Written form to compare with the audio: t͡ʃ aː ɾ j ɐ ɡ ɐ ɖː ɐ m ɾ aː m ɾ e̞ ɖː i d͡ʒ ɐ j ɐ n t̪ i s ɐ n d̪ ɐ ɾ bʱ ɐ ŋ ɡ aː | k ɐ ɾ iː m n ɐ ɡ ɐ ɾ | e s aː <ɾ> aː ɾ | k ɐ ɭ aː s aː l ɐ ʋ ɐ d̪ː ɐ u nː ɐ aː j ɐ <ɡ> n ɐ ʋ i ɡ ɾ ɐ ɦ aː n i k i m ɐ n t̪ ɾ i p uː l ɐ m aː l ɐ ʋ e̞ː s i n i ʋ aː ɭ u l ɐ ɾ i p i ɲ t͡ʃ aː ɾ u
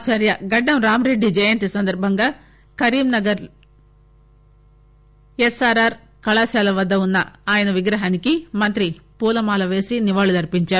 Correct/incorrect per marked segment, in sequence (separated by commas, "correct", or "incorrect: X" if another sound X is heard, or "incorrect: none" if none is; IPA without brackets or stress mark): correct, incorrect: none